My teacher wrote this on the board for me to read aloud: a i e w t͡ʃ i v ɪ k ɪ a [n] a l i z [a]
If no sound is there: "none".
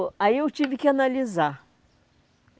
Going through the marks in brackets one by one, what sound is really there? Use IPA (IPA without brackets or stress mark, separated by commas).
n, a